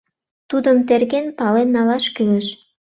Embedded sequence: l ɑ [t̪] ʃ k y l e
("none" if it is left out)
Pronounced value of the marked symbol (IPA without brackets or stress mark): none